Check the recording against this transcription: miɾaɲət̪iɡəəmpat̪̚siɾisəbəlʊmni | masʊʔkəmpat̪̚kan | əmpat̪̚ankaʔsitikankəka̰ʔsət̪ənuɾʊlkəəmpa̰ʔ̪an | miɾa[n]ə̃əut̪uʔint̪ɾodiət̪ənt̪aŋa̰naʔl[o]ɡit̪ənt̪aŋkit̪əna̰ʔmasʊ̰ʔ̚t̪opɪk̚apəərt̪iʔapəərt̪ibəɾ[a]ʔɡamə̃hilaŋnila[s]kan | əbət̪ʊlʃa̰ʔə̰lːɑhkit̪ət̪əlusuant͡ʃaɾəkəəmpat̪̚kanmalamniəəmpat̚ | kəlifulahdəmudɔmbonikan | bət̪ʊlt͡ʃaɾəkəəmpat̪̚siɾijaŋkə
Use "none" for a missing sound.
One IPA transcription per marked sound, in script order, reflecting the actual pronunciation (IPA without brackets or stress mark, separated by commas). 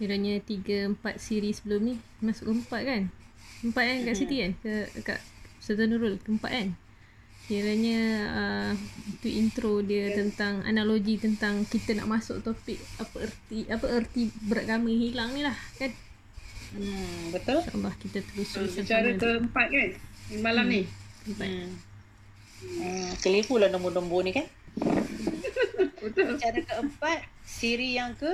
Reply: ɲ, o, a, h